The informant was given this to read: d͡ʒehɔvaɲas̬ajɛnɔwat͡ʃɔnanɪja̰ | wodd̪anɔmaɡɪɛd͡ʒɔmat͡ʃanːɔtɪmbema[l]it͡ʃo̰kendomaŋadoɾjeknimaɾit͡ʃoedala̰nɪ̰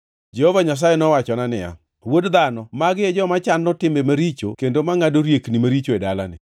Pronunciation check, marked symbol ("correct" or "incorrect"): incorrect